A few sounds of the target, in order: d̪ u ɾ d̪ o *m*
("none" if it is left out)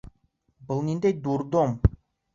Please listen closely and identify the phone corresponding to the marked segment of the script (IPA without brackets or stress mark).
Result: m